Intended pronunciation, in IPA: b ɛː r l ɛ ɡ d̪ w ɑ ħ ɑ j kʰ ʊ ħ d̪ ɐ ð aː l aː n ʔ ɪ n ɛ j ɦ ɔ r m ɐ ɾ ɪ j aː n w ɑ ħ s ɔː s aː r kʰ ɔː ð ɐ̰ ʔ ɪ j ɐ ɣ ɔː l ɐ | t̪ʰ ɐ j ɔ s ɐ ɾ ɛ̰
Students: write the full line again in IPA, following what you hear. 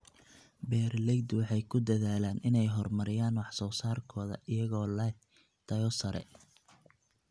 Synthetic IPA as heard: b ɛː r l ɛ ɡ d̪ w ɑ ħ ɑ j kʰ ʊ d̪ ɐ ð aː l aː n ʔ ɪ n ɛ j ɦ ɔ r m ɐ ɾ ɪ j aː n w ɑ ħ s ɔː s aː r kʰ ɔː ð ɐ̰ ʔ ɪ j ɐ ɣ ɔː l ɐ | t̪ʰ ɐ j ɔ s ɐ ɾ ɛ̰